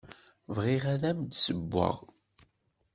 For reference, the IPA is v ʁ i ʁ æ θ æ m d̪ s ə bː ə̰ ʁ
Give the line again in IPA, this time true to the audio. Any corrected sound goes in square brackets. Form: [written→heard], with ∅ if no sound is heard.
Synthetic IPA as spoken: v ʁ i ʁ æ [θ→ð] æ m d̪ s ə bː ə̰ ʁ